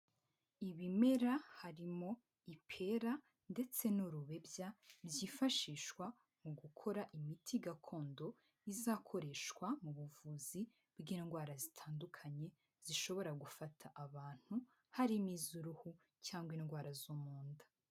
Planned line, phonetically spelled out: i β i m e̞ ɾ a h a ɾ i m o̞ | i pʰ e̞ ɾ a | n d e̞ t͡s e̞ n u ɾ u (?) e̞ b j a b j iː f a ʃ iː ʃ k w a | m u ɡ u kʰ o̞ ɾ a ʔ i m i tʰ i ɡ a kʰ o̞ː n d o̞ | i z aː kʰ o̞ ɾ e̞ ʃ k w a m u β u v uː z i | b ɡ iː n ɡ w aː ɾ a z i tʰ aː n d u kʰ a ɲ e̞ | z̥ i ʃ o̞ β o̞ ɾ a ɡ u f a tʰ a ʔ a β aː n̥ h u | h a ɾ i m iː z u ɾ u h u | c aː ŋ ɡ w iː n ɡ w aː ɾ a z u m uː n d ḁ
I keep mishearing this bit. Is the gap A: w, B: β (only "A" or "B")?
B